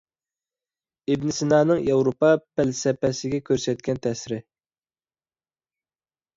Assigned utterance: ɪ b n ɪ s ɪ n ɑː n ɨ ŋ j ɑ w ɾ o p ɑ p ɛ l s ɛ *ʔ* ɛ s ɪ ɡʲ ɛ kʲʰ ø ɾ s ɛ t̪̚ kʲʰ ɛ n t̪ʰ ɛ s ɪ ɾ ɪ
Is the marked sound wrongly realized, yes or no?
yes